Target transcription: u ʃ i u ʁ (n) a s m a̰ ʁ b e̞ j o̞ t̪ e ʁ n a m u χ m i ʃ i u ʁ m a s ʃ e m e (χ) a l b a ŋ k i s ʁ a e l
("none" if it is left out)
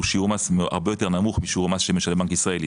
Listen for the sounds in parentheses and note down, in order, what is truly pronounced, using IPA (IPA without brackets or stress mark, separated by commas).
m, ʃ